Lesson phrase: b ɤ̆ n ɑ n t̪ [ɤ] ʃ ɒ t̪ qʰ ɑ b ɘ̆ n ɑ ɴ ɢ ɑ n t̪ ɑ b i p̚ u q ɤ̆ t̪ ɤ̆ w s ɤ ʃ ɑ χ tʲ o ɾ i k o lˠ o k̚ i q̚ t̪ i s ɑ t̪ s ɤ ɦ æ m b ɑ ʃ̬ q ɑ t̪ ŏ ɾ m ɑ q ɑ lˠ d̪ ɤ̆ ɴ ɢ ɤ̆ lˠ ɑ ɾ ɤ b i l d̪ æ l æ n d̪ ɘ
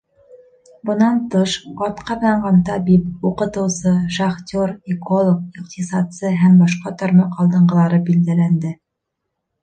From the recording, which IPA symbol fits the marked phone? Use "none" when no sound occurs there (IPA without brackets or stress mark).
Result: ɤ